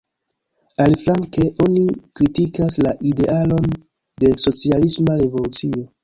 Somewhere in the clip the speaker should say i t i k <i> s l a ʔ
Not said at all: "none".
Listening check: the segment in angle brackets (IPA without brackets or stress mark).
a